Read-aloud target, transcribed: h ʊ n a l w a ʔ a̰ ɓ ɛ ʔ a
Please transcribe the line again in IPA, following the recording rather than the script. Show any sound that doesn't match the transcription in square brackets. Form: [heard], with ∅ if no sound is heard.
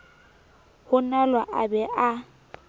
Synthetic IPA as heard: h ʊ n a l w a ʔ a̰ [b] ɛ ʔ a